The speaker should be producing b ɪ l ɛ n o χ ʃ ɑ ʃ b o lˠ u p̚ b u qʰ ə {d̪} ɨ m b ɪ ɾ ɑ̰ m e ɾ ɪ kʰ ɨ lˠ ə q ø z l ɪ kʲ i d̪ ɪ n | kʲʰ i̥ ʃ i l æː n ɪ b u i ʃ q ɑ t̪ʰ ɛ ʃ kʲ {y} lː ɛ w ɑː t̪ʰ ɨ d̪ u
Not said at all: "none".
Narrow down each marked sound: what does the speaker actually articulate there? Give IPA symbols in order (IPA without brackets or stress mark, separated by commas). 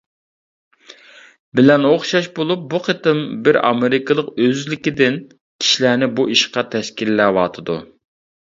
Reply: t̪, i